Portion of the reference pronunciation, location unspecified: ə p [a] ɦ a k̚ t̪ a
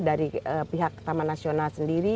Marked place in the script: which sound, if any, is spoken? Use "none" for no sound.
i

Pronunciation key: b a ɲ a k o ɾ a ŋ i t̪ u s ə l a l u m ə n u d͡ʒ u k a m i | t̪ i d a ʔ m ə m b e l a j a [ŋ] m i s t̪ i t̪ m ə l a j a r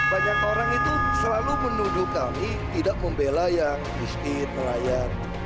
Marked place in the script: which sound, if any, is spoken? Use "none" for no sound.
ŋ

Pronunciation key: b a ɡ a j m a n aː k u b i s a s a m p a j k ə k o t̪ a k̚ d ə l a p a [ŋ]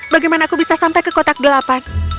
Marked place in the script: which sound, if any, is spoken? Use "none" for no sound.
n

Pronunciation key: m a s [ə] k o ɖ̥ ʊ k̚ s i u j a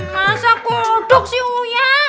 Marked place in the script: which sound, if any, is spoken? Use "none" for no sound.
a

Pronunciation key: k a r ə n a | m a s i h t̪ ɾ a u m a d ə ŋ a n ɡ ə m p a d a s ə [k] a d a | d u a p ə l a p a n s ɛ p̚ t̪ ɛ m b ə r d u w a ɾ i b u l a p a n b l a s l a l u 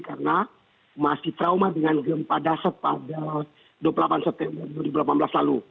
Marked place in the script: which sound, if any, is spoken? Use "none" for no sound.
p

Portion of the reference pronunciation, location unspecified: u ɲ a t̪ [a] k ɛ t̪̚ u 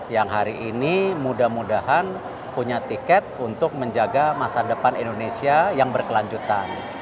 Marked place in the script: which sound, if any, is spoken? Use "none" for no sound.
i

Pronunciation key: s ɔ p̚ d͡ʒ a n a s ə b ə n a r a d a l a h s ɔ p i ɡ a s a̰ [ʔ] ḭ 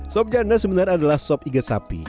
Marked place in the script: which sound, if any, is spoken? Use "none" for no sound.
p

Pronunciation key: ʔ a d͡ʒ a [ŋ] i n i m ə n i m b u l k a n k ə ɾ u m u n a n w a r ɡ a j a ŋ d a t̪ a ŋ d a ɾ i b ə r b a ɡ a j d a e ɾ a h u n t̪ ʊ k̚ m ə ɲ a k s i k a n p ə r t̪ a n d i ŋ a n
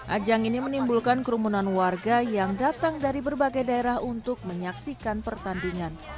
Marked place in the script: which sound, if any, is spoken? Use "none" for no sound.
ŋ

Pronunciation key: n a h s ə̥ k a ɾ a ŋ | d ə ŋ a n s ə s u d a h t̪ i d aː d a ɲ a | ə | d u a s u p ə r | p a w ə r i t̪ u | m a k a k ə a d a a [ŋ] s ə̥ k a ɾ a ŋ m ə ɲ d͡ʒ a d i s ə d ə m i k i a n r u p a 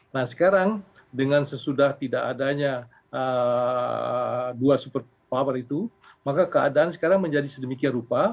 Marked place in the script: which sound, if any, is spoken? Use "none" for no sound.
n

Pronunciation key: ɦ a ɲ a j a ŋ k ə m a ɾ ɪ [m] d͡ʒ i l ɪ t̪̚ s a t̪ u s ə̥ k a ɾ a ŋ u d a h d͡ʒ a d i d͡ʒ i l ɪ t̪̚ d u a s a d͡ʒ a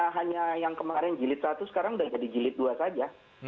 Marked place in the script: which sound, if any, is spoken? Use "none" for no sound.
n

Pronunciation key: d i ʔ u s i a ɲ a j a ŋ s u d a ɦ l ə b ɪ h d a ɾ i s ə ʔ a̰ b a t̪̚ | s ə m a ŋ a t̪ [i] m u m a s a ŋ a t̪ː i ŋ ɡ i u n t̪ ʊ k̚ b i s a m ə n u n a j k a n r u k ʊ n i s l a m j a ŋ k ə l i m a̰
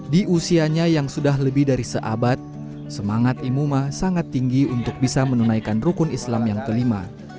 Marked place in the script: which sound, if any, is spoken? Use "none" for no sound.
i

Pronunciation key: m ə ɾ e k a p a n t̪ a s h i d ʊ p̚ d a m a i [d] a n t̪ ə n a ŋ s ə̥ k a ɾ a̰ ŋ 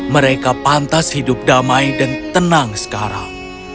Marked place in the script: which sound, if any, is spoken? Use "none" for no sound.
d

